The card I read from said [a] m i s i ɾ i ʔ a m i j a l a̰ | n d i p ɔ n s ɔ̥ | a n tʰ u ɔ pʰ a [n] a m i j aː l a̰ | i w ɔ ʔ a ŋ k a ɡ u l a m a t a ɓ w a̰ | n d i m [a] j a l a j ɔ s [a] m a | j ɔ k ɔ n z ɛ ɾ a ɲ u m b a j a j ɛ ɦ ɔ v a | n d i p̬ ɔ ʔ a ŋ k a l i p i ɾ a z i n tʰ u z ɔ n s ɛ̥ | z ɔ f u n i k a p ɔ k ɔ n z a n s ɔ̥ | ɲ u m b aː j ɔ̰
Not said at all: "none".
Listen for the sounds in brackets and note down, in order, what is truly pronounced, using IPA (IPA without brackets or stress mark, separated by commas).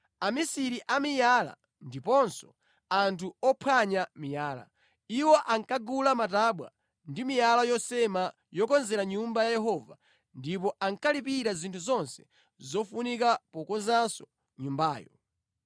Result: a, ɲ, i, ɛ